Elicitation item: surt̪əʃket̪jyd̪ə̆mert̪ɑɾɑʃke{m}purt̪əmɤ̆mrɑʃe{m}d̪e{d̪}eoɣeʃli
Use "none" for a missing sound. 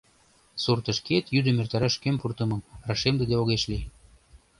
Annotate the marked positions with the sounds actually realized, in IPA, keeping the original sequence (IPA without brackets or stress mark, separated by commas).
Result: m, m, d̪